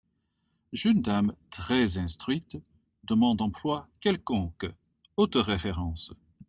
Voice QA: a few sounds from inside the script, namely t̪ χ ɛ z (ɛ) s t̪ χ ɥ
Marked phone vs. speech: incorrect: ɛ̃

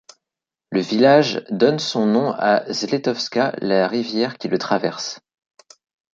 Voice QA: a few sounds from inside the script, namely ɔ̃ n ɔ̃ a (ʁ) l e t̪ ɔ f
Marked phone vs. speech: incorrect: z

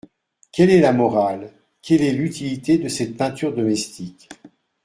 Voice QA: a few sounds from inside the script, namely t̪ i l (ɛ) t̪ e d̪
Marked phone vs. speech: incorrect: i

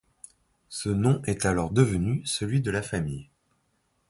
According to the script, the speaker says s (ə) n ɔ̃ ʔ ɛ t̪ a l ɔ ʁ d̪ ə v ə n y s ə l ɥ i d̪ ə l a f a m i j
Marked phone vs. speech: correct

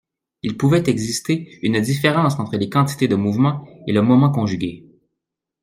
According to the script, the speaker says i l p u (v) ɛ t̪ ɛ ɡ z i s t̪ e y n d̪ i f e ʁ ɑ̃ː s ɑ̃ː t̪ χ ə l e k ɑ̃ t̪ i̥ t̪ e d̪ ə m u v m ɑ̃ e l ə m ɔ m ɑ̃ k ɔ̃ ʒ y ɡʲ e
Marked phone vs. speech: correct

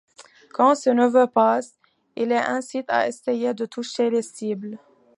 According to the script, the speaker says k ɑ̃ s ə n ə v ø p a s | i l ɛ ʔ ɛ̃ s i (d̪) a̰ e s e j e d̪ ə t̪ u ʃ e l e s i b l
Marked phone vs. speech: incorrect: t̪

